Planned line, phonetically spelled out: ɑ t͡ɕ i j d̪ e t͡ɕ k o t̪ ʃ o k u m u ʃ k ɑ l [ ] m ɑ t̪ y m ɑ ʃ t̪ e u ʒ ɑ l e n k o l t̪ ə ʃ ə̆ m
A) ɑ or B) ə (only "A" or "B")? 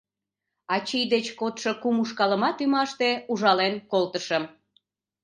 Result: B